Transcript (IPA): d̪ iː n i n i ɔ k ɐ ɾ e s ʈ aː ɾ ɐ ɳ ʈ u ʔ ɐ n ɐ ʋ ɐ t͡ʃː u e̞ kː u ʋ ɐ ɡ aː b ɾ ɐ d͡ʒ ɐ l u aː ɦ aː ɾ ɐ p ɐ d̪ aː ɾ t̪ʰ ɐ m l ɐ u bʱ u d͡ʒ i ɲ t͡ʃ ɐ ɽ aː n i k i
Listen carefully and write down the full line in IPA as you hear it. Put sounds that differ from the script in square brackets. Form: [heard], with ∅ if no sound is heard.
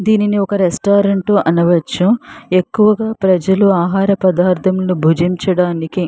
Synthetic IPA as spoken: d̪ iː n i n i ɔ k ɐ ɾ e s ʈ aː ɾ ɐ ɳ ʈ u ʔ ɐ n ɐ ʋ ɐ t͡ʃː u e̞ kː u ʋ ɐ ɡ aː [p] ɾ ɐ d͡ʒ ɐ l u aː ɦ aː ɾ ɐ p ɐ d̪ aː ɾ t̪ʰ ɐ m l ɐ u bʱ u d͡ʒ i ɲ t͡ʃ ɐ ɽ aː n i k i